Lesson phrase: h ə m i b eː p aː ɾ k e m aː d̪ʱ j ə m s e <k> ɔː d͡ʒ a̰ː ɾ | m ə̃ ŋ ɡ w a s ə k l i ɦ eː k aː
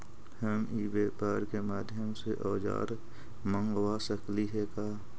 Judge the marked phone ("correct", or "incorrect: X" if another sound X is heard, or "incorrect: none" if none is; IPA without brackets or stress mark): incorrect: ʔ